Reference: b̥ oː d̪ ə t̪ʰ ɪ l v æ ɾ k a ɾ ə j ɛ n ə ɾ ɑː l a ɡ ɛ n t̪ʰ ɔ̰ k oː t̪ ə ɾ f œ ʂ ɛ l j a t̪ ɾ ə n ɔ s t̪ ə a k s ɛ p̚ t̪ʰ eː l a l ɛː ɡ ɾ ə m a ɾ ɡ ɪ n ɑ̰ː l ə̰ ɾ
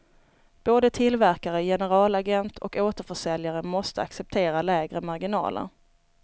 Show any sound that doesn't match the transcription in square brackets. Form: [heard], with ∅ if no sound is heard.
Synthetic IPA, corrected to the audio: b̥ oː d̪ ə t̪ʰ ɪ l v æ ɾ k a ɾ ə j ɛ n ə ɾ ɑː l a ɡ ɛ n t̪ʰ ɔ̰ k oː t̪ ə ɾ f œ ʂ ɛ l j a [∅] ɾ ə [m] ɔ s t̪ ə a k s ɛ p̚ t̪ʰ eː [ɾ] a l ɛː ɡ ɾ ə m a ɾ ɡ ɪ n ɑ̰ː l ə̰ ɾ